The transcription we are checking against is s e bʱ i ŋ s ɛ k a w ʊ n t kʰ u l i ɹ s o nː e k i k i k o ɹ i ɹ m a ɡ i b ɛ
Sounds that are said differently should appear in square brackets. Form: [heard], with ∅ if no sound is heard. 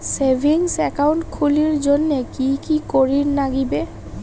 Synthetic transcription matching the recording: s e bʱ i ŋ s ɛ k a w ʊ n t kʰ u l i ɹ [z] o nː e k i k i k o ɹ i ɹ [n] a ɡ i b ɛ